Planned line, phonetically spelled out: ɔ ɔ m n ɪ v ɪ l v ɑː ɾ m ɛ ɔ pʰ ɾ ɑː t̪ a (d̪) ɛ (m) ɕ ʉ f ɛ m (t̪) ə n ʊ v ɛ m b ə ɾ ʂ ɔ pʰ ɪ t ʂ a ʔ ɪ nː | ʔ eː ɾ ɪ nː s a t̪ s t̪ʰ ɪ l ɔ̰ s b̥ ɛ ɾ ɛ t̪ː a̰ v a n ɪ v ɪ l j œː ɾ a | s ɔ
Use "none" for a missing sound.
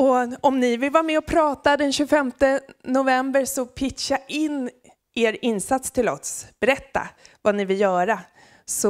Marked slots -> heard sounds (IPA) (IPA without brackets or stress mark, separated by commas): d̪, n, t̪